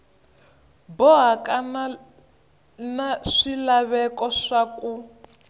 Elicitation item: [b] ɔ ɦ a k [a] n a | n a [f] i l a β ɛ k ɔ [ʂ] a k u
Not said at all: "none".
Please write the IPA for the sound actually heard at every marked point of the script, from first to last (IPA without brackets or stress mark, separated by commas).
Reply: b, a, ʂ, ʂ